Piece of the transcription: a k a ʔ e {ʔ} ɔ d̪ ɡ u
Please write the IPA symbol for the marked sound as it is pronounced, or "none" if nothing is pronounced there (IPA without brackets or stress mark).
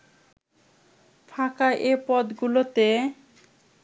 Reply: p